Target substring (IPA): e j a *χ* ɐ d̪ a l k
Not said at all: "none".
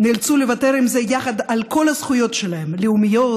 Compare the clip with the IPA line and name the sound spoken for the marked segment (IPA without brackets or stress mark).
χ